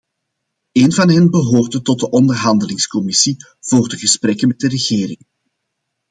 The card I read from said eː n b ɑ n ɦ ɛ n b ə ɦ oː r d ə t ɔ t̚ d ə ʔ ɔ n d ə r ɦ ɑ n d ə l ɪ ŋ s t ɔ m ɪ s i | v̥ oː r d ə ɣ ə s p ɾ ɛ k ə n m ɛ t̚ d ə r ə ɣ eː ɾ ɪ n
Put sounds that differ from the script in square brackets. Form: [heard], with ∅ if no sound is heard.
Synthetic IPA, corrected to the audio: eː n [v] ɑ n ɦ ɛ n b ə ɦ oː r d ə t ɔ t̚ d ə ʔ ɔ n d ə r ɦ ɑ n d ə l ɪ ŋ s [k] ɔ m ɪ s i | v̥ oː r d ə ɣ ə s p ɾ ɛ k ə n m ɛ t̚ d ə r ə ɣ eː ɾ ɪ [ŋ]